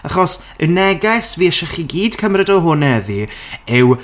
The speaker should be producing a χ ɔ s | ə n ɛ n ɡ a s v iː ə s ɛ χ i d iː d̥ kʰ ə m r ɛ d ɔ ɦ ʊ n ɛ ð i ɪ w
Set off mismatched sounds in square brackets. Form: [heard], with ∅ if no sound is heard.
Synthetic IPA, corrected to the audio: a χ ɔ s | ə n ɛ [∅] ɡ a s v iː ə [ʃ] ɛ χ i [ɡ] iː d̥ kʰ ə m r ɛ d ɔ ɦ ʊ n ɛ ð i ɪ w